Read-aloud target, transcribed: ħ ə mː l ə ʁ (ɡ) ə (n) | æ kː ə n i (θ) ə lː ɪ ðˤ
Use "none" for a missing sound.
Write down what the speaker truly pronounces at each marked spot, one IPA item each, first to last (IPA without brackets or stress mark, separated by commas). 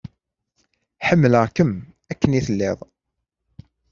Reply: k, m, θ